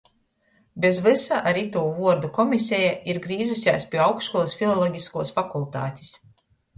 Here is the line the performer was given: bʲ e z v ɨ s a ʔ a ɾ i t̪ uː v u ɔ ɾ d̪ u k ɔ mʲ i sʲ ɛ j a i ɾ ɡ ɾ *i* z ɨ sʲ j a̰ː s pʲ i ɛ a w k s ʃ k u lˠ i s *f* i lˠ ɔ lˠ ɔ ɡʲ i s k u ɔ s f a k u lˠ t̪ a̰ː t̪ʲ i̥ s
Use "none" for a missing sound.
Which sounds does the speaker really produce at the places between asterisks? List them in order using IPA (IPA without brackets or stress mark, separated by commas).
iː, f